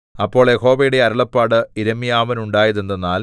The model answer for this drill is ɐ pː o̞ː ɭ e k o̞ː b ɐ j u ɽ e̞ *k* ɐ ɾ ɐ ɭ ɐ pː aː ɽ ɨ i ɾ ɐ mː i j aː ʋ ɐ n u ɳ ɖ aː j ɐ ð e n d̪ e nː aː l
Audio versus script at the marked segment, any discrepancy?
yes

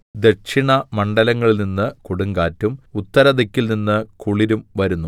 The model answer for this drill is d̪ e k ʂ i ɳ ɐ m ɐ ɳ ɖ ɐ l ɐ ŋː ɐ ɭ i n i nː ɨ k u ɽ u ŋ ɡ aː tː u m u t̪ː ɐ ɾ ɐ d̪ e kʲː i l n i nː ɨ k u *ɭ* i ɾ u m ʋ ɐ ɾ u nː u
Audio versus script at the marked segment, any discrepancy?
no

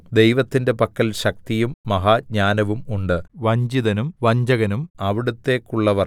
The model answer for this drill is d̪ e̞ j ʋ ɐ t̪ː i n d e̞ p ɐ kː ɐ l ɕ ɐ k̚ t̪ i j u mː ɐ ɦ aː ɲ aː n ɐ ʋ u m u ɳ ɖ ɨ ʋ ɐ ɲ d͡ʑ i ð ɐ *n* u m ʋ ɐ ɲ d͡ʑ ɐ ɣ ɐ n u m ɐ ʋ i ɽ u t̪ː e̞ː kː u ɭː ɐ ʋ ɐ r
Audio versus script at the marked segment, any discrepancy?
no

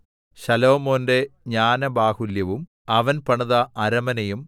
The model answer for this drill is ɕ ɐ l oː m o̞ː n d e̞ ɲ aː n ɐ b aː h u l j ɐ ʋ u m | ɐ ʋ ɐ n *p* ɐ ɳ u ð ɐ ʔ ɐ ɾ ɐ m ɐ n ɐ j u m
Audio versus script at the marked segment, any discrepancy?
no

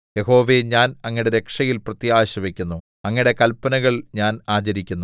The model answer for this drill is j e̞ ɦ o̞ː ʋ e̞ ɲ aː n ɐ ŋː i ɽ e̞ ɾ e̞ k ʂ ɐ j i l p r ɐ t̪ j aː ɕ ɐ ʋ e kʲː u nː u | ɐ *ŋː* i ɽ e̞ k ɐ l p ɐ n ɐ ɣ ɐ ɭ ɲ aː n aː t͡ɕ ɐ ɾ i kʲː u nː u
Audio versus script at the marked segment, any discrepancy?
no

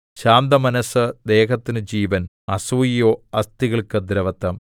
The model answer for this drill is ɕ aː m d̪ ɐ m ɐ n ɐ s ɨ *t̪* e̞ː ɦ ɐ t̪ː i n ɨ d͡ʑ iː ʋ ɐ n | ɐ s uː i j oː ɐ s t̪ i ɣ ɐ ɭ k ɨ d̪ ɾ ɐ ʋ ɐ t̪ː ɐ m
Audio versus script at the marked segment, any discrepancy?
yes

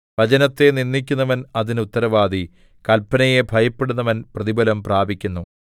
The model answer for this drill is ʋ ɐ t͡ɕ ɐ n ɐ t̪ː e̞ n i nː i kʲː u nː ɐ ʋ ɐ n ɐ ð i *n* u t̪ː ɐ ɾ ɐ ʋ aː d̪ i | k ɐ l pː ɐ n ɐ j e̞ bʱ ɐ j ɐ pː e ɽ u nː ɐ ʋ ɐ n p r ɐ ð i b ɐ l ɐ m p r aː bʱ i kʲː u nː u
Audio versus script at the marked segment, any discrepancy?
no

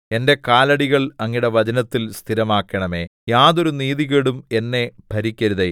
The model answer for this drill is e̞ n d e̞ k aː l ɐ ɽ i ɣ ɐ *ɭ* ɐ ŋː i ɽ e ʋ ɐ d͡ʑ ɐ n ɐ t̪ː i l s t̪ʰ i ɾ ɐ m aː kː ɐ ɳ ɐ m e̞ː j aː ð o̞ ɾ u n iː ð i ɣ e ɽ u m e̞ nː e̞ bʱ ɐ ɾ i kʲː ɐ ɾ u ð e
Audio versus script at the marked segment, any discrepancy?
no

